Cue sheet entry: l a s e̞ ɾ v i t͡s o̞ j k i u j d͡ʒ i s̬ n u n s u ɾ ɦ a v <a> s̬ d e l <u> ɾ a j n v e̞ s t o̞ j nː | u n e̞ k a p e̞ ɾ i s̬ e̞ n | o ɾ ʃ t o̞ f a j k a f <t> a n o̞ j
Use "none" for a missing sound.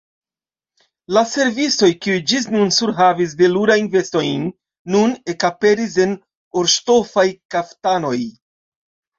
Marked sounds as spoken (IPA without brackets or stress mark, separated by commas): i, u, t